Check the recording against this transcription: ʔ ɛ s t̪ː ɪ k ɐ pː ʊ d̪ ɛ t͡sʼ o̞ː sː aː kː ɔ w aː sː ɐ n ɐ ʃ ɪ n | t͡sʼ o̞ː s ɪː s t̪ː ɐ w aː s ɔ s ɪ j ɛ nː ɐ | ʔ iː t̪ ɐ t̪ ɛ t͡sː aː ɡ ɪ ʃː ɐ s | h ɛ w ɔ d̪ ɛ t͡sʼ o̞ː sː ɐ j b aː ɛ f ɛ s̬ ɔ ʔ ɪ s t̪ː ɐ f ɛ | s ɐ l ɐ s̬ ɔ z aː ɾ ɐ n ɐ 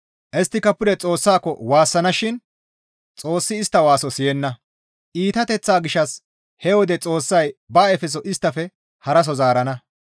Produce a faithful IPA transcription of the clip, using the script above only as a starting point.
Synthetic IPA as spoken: ʔ ɛ s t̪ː ɪ k ɐ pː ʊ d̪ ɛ t͡sʼ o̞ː sː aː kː ɔ w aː sː ɐ n ɐ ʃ ɪ n | t͡sʼ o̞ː sː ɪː s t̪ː ɐ w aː s ɔ s ɪ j ɛ nː ɐ | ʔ iː t̪ ɐ t̪ ɛ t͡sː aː ɡ ɪ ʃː ɐ s | h ɛ w ɔ d̪ ɛ t͡sʼ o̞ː sː ɐ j b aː ɛ f ɛ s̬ ɔ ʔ ɪ s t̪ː ɐ f ɛ | h ɐ ɾ ɐ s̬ ɔ z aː ɾ ɐ n ɐ